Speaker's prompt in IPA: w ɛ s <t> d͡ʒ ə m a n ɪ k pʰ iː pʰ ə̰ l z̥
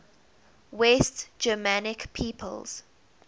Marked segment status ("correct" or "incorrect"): correct